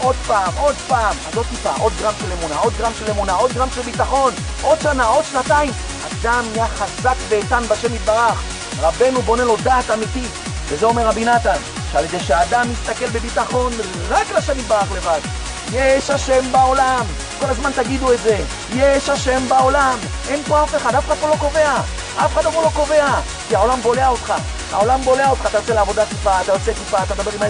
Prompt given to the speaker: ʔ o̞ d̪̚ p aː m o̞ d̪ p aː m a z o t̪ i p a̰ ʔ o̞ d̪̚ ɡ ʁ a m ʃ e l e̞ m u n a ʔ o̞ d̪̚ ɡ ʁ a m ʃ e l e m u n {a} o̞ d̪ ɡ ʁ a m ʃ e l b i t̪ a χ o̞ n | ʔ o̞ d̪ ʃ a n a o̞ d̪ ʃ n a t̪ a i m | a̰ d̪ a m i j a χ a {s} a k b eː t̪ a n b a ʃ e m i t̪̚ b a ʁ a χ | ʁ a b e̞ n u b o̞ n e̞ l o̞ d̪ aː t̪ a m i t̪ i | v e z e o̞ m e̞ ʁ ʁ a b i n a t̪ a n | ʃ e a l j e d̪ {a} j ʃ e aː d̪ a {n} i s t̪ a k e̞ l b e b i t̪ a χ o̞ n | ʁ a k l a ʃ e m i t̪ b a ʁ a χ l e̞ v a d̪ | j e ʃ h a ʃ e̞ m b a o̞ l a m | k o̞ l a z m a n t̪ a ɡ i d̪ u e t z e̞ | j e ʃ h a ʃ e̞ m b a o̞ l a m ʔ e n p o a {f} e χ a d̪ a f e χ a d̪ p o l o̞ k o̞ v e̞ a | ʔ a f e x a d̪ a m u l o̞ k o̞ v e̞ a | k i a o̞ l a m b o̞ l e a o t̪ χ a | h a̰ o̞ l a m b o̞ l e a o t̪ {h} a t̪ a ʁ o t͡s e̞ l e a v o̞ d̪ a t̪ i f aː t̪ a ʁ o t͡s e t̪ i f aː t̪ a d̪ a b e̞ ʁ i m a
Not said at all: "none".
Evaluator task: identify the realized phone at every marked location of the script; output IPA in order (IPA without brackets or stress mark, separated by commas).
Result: a, z, e, m, f, χ